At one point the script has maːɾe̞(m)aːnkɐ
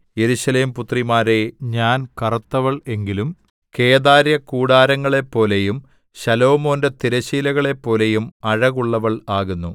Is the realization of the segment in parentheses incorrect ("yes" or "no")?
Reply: yes